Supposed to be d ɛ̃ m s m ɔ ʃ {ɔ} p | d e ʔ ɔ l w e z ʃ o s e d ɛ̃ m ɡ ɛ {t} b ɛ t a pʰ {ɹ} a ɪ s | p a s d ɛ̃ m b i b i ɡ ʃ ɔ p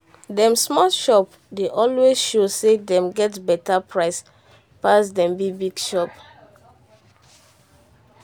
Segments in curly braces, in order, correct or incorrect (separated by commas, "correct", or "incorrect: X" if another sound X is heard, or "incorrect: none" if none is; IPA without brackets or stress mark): correct, correct, correct